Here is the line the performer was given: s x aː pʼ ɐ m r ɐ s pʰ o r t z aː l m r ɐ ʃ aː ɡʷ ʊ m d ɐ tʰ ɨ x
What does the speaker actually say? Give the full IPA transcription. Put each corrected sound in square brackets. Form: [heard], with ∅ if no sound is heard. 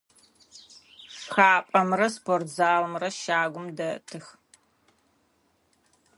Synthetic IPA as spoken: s x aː pʼ ɐ m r ɐ s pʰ o r t z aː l m r ɐ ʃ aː ɡʷ ʊ m d ɐ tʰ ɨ x